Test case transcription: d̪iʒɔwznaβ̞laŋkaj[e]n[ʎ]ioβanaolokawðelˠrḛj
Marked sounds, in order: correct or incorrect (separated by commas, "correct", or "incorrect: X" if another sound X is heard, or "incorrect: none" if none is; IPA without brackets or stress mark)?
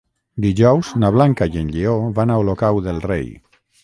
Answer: correct, correct